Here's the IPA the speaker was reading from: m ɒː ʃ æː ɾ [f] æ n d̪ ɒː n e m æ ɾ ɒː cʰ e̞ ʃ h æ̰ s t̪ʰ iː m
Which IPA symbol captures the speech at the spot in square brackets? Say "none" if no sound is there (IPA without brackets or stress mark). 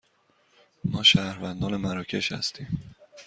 v